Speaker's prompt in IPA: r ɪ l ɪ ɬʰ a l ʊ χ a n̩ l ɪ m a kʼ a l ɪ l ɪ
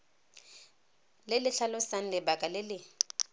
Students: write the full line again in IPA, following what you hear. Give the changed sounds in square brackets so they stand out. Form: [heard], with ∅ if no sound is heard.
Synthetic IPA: [l] ɪ l ɪ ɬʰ a l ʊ [s] a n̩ l ɪ [b] a kʼ a l ɪ l ɪ